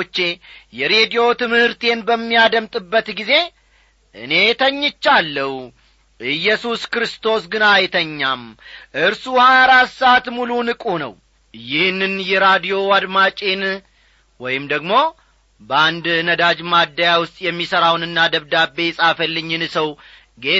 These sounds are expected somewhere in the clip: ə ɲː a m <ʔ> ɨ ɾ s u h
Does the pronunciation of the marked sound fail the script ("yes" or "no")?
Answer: no